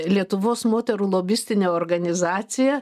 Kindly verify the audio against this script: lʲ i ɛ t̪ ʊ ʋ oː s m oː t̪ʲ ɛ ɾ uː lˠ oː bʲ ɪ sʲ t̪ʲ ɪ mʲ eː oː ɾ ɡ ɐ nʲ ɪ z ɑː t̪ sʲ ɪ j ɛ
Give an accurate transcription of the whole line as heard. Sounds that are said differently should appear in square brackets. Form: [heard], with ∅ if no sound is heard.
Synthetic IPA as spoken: lʲ i ɛ t̪ ʊ ʋ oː s m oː t̪ʲ ɛ ɾ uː lˠ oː bʲ ɪ sʲ t̪ʲ ɪ [nʲ] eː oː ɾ ɡ ɐ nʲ ɪ z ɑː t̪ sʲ ɪ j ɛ